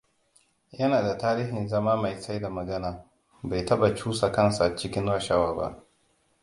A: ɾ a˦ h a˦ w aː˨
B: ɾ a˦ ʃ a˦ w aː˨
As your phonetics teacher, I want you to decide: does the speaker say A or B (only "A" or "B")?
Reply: B